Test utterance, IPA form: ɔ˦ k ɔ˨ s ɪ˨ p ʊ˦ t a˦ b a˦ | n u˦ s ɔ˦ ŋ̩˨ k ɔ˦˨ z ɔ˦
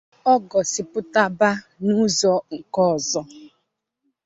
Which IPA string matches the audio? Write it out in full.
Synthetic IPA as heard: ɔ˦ ɡ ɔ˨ s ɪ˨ p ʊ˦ t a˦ b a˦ | n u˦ z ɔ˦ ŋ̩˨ k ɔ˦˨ z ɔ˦

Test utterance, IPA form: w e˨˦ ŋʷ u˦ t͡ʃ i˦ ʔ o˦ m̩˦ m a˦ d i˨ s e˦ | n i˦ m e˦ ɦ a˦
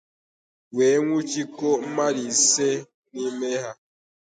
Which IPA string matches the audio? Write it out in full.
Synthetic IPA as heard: w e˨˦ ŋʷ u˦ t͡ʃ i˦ k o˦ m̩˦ m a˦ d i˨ s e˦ | n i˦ m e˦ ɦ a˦

